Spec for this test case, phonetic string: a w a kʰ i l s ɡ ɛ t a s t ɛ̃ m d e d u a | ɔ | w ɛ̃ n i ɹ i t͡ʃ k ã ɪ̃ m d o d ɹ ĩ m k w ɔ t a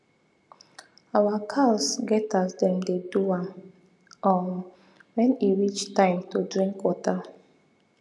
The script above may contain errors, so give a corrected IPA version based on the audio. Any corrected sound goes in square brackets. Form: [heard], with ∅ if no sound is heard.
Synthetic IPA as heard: a w a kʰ [a] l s ɡ ɛ t a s [d] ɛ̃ m d e d u a | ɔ | w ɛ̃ n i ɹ i t͡ʃ [t] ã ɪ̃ m [t] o d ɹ ĩ [ŋ] k w ɔ t a